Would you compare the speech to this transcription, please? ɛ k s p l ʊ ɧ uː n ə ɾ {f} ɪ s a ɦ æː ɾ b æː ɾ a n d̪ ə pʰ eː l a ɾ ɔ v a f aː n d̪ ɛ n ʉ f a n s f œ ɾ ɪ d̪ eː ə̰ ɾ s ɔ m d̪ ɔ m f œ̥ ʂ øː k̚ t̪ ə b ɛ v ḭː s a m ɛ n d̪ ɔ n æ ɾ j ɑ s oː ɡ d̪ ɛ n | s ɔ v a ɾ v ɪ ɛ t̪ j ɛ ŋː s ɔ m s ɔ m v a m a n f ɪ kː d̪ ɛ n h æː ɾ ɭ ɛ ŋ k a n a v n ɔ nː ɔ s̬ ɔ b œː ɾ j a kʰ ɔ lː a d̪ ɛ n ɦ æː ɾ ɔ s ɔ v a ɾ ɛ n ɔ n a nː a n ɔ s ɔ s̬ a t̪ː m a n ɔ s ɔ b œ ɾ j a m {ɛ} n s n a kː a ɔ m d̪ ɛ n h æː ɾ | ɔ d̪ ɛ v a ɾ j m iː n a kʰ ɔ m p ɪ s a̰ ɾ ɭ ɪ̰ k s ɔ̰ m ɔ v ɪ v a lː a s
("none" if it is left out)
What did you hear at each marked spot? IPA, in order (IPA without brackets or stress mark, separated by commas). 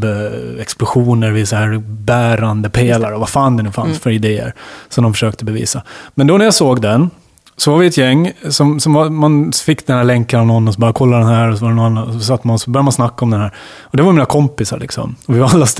v, a